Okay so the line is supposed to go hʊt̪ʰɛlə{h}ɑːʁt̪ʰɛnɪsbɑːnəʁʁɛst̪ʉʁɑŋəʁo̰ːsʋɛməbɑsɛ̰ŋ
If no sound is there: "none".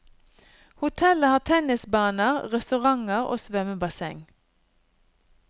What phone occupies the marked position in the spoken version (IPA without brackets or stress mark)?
h